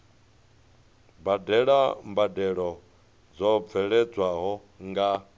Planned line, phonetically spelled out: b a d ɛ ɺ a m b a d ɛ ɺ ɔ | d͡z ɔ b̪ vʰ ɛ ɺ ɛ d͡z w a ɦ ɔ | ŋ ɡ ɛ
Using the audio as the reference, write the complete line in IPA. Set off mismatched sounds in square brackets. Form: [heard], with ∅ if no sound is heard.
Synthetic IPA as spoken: b a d ɛ ɺ a m b a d ɛ ɺ ɔ | d͡z ɔ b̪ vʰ ɛ ɺ ɛ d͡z w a ɦ ɔ | ŋ ɡ [a]

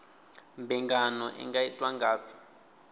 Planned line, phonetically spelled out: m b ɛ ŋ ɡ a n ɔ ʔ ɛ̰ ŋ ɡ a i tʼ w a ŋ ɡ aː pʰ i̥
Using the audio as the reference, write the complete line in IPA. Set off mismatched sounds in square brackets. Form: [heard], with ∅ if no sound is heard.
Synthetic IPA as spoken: m b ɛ ŋ ɡ a n ɔ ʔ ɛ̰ ŋ ɡ a i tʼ w a ŋ ɡ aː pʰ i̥

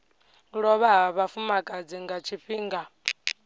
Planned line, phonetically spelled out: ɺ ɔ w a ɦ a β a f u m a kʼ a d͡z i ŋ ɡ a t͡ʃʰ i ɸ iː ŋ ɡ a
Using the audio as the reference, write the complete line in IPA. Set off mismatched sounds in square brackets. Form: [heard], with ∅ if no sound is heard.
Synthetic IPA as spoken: ɺ ɔ [β] a ɦ a β a f u m a kʼ a d͡z i ŋ ɡ a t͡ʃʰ i ɸ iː ŋ ɡ a

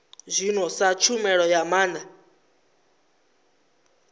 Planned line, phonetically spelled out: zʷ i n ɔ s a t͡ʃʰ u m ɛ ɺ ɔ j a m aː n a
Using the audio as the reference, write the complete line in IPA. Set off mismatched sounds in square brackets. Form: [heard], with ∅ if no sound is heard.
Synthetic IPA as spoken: zʷ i n ɔ s a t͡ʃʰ u m ɛ ɺ ɔ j a m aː n a

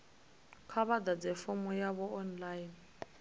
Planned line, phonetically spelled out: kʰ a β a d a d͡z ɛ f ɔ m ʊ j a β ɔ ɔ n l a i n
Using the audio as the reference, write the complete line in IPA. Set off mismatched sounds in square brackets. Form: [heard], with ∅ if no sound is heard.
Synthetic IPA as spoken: kʰ a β a d a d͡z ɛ f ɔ m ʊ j a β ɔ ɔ n l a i n

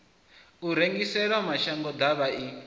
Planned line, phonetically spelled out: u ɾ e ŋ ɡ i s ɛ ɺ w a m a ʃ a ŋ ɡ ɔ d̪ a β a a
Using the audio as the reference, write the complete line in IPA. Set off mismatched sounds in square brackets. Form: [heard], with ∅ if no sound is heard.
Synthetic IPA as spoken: u ɾ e ŋ ɡ i s ɛ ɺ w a m a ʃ a ŋ ɡ ɔ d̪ a β a [i]

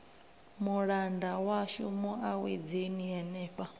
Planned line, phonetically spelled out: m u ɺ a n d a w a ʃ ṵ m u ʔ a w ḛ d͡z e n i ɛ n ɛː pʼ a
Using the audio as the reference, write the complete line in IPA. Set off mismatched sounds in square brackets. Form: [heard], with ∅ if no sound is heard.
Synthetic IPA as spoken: m u ɺ a n d a w a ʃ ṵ m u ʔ a w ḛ d͡z e n i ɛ n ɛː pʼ a

